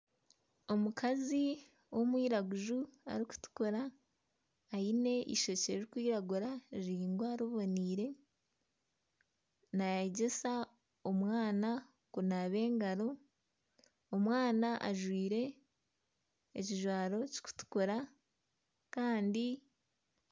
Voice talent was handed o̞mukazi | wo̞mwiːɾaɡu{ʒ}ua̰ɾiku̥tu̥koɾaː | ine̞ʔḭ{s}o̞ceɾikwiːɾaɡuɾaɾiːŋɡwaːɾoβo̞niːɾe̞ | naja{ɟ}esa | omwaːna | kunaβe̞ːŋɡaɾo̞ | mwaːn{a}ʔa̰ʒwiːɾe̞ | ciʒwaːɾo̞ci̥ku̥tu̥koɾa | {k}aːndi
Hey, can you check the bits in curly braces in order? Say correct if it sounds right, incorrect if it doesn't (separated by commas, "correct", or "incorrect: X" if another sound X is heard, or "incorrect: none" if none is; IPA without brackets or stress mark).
correct, incorrect: ʃ, correct, correct, correct